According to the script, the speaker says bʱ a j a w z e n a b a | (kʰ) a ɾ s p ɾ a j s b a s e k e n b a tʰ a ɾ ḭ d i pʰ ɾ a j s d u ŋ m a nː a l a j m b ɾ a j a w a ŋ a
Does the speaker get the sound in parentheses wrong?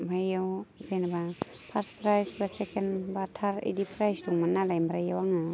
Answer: yes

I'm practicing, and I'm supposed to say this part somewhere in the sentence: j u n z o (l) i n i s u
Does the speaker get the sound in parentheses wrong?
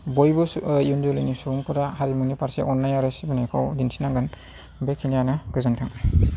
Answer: no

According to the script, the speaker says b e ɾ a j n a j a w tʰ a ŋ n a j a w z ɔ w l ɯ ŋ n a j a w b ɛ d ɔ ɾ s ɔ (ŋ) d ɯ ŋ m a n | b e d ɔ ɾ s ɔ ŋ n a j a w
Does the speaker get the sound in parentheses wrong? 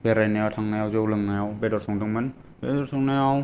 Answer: no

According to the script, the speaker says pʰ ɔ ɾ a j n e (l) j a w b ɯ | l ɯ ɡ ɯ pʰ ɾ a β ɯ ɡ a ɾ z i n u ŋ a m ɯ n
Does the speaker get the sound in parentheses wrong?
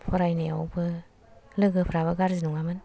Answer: yes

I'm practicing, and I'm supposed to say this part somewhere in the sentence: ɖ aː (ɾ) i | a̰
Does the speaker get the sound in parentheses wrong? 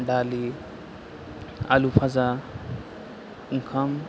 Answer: yes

